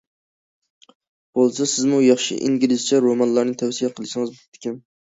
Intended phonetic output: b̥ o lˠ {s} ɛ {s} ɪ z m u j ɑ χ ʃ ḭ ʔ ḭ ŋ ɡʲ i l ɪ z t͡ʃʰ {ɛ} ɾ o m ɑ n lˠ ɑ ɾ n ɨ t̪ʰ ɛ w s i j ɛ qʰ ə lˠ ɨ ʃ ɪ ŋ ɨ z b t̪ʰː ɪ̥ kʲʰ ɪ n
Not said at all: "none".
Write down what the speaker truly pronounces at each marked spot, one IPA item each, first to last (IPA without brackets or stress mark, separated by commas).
s, s, ɛ